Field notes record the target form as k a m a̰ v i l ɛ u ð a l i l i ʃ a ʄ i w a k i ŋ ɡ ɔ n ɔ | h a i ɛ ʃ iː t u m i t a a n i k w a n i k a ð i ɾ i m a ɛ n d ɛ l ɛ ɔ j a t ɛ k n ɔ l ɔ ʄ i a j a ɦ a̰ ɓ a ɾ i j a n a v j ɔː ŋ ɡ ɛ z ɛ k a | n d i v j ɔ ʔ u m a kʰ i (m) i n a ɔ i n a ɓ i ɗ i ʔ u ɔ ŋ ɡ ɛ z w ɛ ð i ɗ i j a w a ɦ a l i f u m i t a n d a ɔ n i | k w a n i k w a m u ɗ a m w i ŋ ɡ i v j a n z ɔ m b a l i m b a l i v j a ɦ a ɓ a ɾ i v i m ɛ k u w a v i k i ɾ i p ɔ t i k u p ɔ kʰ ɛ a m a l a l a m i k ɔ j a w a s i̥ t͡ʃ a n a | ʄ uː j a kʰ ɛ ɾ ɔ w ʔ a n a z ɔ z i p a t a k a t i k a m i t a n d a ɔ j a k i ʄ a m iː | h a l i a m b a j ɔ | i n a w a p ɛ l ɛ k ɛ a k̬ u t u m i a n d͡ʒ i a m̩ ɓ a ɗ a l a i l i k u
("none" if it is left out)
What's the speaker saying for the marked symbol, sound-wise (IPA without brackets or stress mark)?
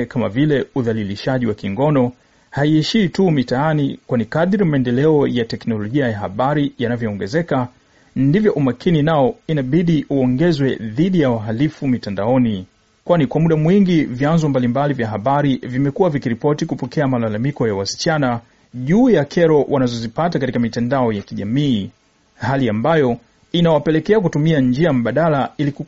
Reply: n